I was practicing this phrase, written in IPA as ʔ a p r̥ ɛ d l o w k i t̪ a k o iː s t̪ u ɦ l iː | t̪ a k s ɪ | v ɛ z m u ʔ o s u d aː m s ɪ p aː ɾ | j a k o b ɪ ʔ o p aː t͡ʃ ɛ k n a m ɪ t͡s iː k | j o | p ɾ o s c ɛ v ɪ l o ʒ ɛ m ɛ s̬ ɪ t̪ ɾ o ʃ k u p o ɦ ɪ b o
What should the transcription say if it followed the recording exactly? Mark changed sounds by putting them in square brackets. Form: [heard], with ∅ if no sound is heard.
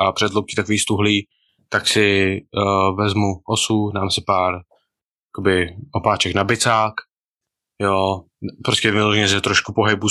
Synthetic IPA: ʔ a p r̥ ɛ d l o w k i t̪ a k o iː s t̪ u ɦ l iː | t̪ a k s ɪ | v ɛ z m u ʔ o s u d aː m s ɪ p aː ɾ | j a k o b ɪ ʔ o p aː t͡ʃ ɛ k n a [b] ɪ t͡s [aː] k | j o | p ɾ o s c ɛ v ɪ l o ʒ ɛ [ɲ] ɛ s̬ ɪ t̪ ɾ o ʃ k u p o ɦ ɪ b [u]